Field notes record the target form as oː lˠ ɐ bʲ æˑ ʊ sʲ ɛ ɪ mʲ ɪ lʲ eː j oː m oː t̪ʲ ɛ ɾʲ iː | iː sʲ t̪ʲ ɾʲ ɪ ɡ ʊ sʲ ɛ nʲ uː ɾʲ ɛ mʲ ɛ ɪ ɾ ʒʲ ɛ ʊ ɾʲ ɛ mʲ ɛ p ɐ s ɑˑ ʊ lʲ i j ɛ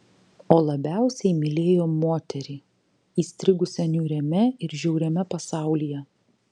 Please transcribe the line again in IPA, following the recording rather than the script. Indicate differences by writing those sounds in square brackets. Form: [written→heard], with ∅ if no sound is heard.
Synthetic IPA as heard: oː lˠ ɐ bʲ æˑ ʊ sʲ ɛ ɪ mʲ ɪ lʲ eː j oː m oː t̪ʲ ɛ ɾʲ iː | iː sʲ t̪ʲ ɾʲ ɪ ɡ ʊ sʲ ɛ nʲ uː ɾʲ ɛ mʲ ɛ ɪ ɾ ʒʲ ɛ ʊ ɾʲ ɛ mʲ ɛ p ɐ s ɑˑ ʊ lʲ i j ɛ